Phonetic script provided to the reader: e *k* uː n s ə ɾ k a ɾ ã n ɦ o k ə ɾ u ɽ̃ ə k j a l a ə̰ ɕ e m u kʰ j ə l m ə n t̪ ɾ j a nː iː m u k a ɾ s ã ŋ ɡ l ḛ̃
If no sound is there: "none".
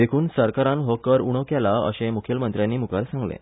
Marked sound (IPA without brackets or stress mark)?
kʰ